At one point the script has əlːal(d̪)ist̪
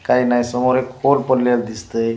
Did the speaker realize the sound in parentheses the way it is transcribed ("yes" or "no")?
yes